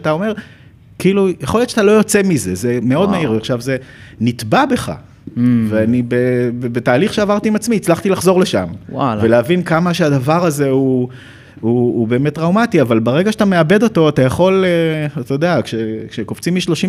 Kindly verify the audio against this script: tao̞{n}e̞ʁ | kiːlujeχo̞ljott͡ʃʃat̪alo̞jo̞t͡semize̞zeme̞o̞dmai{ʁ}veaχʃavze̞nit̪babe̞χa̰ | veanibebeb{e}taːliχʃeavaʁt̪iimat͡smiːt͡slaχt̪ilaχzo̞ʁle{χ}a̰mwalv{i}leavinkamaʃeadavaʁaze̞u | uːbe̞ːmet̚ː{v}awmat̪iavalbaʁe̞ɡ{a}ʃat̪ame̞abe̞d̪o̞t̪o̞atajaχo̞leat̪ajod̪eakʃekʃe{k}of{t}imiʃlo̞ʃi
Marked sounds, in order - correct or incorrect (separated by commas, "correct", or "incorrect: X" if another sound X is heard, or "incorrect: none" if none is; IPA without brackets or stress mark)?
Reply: incorrect: m, correct, correct, incorrect: ʃ, incorrect: e, incorrect: ʁ, correct, correct, incorrect: t͡s